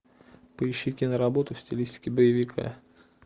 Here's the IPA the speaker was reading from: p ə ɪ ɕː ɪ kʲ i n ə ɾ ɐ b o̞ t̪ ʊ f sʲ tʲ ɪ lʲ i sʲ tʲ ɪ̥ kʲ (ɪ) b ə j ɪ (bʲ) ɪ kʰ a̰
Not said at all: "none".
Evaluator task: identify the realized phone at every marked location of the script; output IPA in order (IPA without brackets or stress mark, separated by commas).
ɪ, vʲ